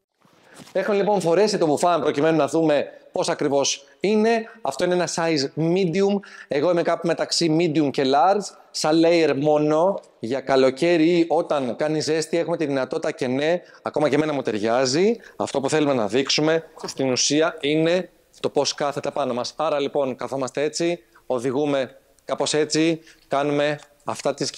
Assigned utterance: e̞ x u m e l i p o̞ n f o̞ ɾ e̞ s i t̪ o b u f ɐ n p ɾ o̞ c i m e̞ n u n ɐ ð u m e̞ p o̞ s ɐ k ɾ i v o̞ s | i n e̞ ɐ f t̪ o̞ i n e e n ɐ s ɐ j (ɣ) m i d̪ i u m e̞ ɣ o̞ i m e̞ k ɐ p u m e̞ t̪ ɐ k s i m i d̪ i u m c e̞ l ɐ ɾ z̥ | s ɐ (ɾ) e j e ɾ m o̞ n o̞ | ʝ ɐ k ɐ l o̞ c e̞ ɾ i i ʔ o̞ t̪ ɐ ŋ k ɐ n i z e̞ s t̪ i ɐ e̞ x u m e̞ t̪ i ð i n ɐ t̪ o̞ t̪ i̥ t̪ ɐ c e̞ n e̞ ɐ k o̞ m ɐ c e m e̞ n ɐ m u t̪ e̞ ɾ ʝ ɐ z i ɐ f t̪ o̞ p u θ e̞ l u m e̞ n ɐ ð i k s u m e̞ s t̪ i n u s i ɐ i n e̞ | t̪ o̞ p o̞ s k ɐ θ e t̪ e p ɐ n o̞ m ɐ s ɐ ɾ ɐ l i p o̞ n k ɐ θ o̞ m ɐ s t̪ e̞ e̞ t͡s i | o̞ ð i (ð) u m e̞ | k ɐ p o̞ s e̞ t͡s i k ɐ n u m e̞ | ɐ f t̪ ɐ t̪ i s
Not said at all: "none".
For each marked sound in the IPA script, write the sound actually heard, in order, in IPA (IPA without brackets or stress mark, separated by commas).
z, l, ɣ